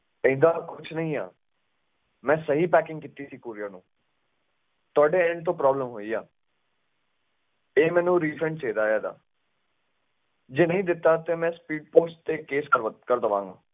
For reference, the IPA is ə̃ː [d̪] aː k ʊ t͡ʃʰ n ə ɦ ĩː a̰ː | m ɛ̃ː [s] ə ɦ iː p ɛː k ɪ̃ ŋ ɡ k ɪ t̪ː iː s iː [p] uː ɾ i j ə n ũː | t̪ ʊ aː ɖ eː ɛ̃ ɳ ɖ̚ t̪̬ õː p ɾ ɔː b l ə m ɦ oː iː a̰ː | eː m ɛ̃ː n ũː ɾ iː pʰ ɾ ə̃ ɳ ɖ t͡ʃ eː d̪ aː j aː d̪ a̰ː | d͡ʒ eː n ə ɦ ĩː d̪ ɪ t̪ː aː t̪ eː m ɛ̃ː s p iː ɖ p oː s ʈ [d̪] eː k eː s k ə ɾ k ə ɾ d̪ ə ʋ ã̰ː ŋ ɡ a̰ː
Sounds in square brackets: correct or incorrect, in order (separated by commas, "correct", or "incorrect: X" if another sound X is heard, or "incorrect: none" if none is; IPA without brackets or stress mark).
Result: correct, correct, incorrect: k, incorrect: t̪